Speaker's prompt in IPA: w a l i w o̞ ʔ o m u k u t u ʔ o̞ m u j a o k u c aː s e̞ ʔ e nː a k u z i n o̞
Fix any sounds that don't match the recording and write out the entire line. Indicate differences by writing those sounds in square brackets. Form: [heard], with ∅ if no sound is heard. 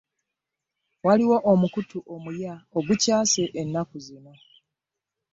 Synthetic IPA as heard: w a l i w o̞ ʔ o m u k u t u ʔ o̞ m u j a o [ɡ] u c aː s e̞ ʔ e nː a k u z i n o̞